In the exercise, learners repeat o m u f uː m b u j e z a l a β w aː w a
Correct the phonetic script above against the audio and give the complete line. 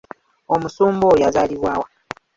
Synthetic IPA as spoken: o m u s uː m b o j a z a l i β w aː w a